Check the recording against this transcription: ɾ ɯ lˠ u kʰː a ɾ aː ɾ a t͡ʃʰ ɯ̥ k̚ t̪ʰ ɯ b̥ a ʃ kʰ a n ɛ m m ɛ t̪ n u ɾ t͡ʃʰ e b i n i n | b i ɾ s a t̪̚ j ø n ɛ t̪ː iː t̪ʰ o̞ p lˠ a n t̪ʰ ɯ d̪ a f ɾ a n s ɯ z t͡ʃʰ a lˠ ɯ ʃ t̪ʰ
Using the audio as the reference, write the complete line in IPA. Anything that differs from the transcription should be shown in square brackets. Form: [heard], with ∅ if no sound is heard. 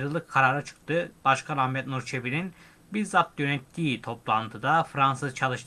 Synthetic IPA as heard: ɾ ɯ lˠ [ɯ] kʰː a ɾ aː ɾ a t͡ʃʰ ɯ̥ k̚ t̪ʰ ɯ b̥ a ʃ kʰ a n [a] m m ɛ t̪ n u ɾ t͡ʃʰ e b i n i n | b i ɾ [z] a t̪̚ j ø n ɛ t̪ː iː t̪ʰ o̞ p lˠ a n t̪ʰ ɯ d̪ a f ɾ a n s ɯ z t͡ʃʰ a lˠ ɯ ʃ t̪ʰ